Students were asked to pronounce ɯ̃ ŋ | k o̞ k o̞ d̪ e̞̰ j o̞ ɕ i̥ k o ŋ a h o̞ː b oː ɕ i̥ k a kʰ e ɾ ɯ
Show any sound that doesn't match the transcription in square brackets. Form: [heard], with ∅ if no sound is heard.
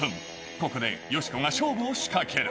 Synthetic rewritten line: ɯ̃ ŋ | k o̞ k o̞ d̪ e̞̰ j o̞ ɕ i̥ k o ŋ a [ɕ] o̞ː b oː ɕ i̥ k a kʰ e ɾ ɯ

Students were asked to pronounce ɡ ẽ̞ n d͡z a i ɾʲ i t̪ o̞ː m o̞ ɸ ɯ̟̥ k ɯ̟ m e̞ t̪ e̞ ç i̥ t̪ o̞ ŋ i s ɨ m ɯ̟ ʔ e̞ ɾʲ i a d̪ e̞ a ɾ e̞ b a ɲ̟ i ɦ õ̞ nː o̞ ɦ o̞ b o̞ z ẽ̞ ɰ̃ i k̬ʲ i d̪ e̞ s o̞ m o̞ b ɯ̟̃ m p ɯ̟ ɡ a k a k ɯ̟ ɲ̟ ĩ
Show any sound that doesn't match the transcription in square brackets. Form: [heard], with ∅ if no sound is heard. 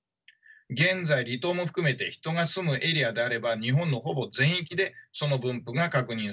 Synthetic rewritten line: ɡ ẽ̞ n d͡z a i ɾʲ i t̪ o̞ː m o̞ ɸ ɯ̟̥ k ɯ̟ m e̞ t̪ e̞ ç i̥ t̪ o̞ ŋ [a] s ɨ m ɯ̟ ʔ e̞ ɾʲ i a d̪ e̞ a ɾ e̞ b a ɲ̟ i ɦ õ̞ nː o̞ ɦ o̞ b o̞ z ẽ̞ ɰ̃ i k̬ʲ i d̪ e̞ s o̞ [n] o̞ b ɯ̟̃ m p ɯ̟ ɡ a k a k ɯ̟ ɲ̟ ĩ

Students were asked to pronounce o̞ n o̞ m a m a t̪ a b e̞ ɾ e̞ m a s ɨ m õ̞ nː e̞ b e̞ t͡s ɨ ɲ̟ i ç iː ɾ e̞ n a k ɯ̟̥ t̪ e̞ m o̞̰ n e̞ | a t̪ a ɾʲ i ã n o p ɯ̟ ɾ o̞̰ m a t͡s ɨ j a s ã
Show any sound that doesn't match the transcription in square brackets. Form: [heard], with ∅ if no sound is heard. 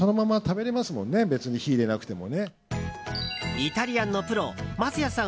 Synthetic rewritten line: o̞ n o̞ m a m a t̪ a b e̞ ɾ e̞ m a s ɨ m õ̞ nː e̞ b e̞ t͡s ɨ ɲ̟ i ç iː ɾ e̞ n a k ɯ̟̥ t̪ e̞ m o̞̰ n e̞ | [i] t̪ a ɾʲ i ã [nː] o p ɯ̟ ɾ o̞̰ m a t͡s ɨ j a s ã

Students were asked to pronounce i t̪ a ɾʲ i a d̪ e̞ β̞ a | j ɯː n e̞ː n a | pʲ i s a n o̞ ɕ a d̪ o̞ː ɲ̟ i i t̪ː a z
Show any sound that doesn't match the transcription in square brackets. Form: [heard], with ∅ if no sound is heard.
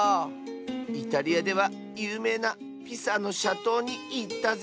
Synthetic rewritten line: i t̪ a ɾʲ i a d̪ e̞ β̞ a | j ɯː [m] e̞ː n a | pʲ i s a n o̞ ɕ a [t̪] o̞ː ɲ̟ i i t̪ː a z

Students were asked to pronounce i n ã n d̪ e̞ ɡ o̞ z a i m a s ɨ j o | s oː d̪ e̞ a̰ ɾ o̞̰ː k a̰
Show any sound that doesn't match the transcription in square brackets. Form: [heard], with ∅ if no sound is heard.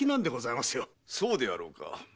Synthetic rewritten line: i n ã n d̪ e̞ ɡ o̞ z a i m a s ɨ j o | s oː d̪ e̞ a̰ ɾ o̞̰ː k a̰

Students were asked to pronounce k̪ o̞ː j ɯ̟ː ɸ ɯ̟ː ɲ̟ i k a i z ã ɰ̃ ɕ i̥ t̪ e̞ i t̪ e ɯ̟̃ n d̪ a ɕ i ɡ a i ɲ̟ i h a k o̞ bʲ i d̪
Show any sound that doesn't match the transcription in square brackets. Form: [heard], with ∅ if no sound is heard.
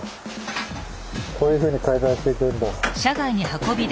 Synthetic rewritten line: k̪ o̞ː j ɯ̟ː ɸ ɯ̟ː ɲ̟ i k a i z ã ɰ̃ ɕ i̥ t̪ e̞ i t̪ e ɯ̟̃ n d̪ a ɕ [a] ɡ a i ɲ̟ i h a k o̞ bʲ i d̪

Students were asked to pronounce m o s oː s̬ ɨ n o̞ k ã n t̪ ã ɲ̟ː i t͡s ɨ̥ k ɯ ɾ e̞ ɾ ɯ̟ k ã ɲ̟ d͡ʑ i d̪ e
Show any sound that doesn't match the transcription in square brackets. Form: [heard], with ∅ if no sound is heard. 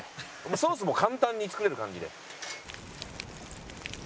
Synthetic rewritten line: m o s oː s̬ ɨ [m] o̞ k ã n t̪ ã ɲ̟ː i t͡s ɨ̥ k ɯ ɾ e̞ ɾ ɯ̟ k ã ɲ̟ d͡ʑ i d̪ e

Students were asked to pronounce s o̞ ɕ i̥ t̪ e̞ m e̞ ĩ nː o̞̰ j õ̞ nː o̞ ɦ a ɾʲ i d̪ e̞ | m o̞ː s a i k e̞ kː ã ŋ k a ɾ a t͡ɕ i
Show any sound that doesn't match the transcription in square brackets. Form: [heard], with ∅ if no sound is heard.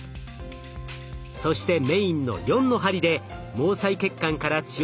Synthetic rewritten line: s o̞ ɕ i̥ t̪ e̞ m e̞ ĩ nː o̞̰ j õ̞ nː o̞ ɦ a ɾʲ i d̪ e̞ | m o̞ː s a i k e̞ kː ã ŋ k a ɾ a t͡ɕ i

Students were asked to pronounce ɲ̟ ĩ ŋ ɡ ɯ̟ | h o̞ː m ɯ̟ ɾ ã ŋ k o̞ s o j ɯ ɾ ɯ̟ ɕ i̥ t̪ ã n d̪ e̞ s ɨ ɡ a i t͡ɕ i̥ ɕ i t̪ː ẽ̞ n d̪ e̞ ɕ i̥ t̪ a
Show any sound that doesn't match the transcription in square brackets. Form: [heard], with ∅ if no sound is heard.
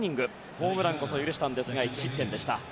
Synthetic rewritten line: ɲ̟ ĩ ŋ ɡ ɯ̟ | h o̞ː m ɯ̟ ɾ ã ŋ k o̞ s o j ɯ ɾ ɯ̟ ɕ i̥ t̪ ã n d̪ e̞ s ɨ ɡ a i t͡ɕ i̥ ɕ i t̪ː ẽ̞ n d̪ e̞ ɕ i̥ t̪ a

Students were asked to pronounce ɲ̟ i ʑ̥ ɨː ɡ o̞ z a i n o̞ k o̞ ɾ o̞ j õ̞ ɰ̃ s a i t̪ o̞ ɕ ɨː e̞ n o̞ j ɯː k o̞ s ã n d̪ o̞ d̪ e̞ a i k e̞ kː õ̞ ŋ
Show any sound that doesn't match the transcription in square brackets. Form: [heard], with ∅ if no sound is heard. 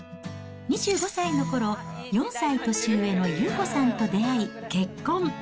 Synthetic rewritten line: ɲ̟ i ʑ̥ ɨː ɡ o̞ [s] a i n o̞ k o̞ ɾ o̞ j õ̞ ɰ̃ s a i t̪ o̞ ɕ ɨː e̞ n o̞ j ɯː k o̞ s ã n [t̪] o̞ d̪ e̞ a i k e̞ kː õ̞ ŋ

